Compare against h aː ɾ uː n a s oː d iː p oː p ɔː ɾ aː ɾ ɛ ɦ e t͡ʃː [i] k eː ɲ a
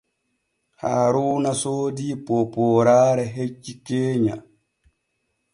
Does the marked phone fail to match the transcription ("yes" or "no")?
no